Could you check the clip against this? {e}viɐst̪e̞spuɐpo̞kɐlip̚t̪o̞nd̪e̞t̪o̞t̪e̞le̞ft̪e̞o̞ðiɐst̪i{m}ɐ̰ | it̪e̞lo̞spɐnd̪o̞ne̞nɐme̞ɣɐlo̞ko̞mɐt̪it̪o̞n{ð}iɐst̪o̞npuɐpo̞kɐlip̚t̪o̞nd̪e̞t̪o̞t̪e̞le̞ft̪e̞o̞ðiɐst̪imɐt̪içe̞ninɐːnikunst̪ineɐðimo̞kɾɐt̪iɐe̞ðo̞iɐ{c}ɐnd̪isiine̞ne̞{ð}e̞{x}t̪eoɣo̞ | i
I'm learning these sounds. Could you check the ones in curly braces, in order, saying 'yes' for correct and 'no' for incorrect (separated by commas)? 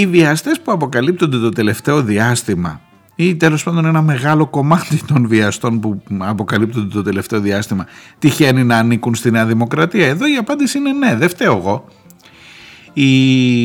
no, yes, no, no, yes, no